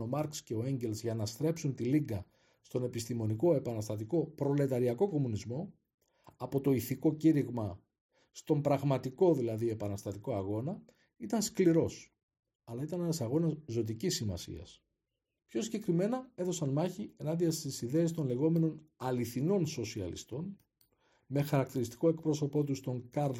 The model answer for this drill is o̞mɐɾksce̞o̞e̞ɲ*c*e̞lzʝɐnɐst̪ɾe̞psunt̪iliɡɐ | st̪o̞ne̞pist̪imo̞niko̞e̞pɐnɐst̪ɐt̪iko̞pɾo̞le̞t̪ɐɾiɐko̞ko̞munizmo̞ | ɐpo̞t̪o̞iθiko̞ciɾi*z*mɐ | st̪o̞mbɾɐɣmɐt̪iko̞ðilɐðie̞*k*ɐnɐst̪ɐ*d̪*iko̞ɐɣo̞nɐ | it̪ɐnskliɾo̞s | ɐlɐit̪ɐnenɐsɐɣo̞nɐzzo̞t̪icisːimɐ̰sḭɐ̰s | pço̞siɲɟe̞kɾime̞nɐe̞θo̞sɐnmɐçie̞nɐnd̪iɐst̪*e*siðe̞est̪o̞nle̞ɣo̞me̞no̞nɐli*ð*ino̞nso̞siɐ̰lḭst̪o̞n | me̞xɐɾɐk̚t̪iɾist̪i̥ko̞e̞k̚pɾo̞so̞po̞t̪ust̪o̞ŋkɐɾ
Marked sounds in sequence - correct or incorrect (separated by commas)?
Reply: incorrect, incorrect, incorrect, incorrect, incorrect, incorrect